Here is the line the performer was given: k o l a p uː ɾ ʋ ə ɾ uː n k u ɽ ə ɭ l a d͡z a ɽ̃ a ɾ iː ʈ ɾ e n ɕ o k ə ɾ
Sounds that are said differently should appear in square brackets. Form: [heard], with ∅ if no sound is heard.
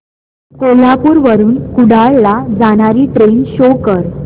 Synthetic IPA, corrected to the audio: k o l a p uː ɾ ʋ ə ɾ uː n k u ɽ [a] ɭ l a d͡z a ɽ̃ a ɾ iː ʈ ɾ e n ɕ o k ə ɾ